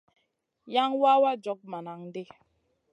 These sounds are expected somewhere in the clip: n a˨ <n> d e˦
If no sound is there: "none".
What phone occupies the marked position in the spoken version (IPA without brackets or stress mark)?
ŋ